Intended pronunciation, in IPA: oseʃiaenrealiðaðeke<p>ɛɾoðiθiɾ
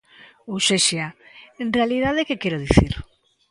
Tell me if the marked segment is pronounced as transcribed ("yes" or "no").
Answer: no